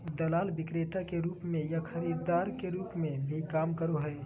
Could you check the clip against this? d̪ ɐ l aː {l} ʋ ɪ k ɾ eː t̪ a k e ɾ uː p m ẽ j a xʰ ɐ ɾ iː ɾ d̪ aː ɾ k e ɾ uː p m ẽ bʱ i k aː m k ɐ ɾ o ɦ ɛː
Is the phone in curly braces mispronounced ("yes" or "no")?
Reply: no